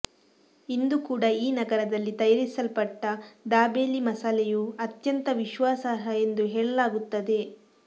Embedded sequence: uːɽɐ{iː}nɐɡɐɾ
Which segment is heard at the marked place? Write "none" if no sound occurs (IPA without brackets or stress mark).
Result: iː